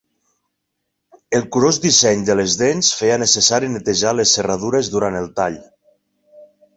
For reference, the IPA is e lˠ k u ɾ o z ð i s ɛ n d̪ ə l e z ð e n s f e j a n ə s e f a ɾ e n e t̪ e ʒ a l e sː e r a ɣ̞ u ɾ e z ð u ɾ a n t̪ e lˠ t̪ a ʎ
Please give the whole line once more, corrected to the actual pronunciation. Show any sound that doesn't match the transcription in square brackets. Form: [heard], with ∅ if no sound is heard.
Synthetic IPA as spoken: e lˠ k u ɾ o z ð i s ɛ [ɲ] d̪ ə l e z ð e n s f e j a n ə s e [s] a ɾ [i] n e t̪ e ʒ a l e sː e r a [ð̞] u ɾ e z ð u ɾ a n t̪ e lˠ t̪ a ʎ